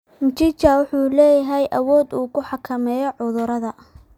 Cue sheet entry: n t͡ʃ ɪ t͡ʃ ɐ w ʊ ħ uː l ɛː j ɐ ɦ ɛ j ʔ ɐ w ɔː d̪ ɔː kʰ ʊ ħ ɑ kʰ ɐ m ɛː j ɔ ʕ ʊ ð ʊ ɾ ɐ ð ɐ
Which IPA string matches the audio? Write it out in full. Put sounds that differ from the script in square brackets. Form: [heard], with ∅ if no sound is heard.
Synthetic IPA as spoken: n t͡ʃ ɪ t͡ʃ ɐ w ʊ ħ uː l ɛː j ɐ ɦ ɛ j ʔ ɐ w ɔː d̪ [uː] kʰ ʊ ħ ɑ kʰ ɐ m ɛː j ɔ ʕ ʊ ð ʊ ɾ ɐ ð ɐ